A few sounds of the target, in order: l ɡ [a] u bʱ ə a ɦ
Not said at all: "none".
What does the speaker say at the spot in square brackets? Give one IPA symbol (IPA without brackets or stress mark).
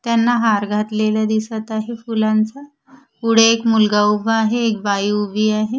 a